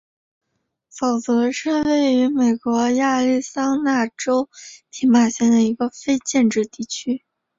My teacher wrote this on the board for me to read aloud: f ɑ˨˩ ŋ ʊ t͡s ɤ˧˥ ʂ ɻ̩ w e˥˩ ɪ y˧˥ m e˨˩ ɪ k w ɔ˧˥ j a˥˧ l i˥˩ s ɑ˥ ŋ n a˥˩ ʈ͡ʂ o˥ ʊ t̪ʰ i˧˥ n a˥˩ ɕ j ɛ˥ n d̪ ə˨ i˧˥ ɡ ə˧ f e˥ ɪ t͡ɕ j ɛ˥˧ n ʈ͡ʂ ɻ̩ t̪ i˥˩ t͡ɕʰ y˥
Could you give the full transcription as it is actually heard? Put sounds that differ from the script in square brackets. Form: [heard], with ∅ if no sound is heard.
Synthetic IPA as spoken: f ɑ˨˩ [∅] ʊ t͡s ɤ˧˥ ʂ ɻ̩ w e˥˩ ɪ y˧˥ m e˨˩ ɪ k w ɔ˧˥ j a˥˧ l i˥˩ s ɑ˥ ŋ n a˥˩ ʈ͡ʂ o˥ ʊ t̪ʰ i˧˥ [m] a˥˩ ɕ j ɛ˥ n d̪ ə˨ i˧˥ ɡ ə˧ f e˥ ɪ t͡ɕ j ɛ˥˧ n ʈ͡ʂ ɻ̩ t̪ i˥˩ t͡ɕʰ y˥